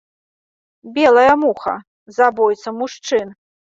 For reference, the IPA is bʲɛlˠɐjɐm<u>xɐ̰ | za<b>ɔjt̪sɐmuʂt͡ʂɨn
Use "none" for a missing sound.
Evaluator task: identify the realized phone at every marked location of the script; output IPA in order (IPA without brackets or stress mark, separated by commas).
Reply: u, b